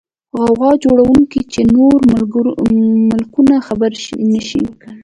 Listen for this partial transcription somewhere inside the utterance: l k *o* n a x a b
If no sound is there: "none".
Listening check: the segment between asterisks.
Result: u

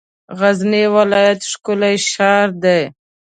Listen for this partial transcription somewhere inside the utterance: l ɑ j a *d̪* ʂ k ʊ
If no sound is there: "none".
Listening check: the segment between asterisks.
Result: t̪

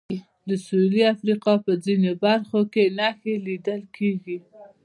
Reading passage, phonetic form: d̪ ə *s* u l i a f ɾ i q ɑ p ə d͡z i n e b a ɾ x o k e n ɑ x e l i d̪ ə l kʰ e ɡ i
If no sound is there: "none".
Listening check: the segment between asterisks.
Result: s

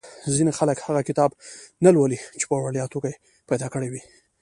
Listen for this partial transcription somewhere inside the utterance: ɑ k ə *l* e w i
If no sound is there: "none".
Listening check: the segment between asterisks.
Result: ɽ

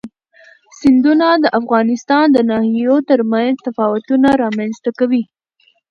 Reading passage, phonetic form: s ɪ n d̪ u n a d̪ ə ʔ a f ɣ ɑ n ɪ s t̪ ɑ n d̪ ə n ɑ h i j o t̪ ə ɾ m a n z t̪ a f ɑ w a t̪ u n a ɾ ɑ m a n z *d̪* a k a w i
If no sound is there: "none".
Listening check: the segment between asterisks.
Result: t̪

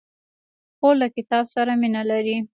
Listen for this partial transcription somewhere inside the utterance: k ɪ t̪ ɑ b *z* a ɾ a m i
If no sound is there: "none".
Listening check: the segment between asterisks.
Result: s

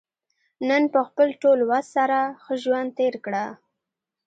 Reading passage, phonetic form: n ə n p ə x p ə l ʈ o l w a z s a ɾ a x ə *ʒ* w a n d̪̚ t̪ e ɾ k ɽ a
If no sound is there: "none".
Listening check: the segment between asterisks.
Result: ʒ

